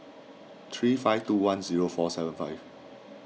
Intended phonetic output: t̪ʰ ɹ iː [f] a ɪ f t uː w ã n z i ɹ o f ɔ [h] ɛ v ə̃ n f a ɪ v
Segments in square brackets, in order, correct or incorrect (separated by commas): correct, incorrect